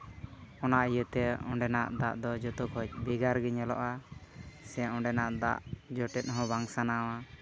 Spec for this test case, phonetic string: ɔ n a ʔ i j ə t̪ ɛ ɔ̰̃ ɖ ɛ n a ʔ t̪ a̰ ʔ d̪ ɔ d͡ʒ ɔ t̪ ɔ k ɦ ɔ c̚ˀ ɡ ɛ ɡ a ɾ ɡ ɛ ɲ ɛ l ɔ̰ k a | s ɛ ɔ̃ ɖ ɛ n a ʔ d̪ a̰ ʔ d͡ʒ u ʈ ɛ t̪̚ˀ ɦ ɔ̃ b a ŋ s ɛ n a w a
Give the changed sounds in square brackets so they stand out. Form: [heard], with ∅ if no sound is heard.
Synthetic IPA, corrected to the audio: ɔ n a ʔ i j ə t̪ ɛ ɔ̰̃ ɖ ɛ n a ʔ [d̪] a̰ ʔ d̪ ɔ d͡ʒ ɔ t̪ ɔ k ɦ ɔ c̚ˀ [b] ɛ ɡ a ɾ ɡ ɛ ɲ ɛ l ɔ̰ [ʔ] a | s ɛ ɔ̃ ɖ ɛ n a ʔ d̪ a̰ ʔ d͡ʒ [ɔ] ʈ ɛ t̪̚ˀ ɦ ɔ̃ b a ŋ s [a] n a w a